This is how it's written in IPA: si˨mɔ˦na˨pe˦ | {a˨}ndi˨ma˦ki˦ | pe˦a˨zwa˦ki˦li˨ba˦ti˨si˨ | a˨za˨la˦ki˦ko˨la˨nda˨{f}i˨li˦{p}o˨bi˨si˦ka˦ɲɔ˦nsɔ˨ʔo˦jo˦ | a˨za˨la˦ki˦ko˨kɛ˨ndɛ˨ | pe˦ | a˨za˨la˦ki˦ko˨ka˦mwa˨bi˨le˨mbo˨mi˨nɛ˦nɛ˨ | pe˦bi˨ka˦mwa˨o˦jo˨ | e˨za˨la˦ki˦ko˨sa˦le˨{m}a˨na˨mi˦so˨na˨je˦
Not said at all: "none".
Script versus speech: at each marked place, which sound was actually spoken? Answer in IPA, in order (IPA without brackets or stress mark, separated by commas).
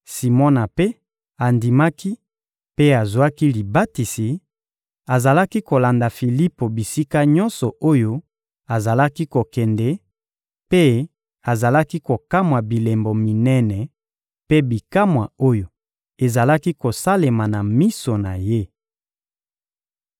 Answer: a˨, f, p, m